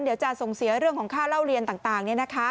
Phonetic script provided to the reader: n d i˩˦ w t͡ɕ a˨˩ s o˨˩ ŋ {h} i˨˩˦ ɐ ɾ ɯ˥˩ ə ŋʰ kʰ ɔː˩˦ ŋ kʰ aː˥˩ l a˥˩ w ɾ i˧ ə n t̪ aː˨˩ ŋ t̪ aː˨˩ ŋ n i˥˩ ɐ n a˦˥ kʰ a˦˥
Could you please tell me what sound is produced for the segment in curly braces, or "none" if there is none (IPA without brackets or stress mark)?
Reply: s